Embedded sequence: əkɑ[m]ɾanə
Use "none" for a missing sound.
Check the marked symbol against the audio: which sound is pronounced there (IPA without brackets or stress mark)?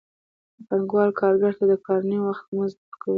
none